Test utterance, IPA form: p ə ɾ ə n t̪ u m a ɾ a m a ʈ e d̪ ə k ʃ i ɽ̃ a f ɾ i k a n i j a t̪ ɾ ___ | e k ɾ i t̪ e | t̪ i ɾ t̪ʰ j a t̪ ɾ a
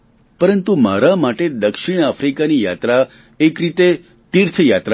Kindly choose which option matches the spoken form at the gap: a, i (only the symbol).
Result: a